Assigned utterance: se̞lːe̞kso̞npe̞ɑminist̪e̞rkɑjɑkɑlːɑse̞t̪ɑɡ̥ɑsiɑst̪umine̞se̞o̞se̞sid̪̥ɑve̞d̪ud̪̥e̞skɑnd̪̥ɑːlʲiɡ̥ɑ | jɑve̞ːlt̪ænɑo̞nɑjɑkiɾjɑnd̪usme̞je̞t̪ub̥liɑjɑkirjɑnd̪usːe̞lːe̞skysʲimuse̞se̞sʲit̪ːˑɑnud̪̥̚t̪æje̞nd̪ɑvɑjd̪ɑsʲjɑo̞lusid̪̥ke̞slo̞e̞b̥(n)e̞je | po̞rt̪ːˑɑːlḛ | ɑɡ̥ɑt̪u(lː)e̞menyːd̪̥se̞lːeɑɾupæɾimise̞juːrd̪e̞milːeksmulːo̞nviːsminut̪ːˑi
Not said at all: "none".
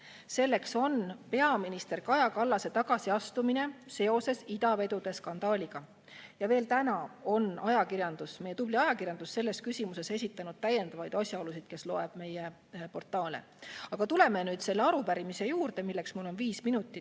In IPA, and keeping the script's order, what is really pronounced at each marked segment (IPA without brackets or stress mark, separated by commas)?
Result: m, l